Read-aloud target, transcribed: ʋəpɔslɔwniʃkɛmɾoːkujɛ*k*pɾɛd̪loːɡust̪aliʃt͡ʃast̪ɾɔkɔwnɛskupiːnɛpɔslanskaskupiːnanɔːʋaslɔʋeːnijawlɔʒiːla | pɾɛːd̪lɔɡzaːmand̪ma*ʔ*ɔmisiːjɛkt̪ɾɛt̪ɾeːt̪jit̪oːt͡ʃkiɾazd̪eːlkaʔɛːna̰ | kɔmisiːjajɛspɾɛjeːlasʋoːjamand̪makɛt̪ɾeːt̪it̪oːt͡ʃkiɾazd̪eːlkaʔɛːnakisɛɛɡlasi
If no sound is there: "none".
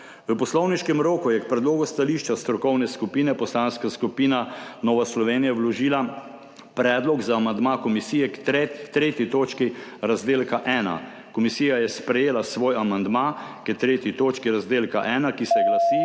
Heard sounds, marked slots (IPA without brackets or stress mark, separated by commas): k, k